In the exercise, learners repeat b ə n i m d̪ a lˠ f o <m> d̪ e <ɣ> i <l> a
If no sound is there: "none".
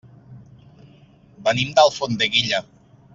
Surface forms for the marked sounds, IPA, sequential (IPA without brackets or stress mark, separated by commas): n, ɣ, ʎ